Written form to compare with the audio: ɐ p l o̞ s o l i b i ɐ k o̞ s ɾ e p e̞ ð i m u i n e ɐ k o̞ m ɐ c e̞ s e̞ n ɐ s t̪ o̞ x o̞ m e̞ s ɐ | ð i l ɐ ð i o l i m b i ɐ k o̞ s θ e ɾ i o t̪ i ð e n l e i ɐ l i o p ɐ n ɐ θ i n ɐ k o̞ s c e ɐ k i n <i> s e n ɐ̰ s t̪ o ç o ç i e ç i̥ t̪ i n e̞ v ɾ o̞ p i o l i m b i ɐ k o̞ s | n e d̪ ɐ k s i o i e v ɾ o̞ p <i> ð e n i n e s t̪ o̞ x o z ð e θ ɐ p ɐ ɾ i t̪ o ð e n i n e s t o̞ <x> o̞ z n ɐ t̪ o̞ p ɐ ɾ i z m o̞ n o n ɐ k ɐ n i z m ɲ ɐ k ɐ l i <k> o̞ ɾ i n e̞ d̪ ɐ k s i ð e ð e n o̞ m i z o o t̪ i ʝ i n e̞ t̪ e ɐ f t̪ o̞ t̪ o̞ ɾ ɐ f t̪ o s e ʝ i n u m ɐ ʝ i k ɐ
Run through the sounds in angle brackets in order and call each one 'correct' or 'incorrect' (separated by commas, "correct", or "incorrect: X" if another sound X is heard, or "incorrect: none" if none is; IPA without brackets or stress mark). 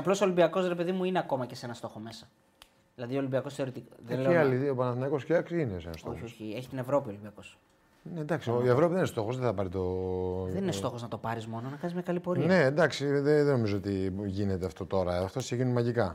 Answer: incorrect: e, correct, correct, incorrect: p